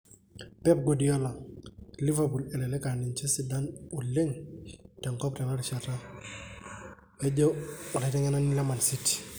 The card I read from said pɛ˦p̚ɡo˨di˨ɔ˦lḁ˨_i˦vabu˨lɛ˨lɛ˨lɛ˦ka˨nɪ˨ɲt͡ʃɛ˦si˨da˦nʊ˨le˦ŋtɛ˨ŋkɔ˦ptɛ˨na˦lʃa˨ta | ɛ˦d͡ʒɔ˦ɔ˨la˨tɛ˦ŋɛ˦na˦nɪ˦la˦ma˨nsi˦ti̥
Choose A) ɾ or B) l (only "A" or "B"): B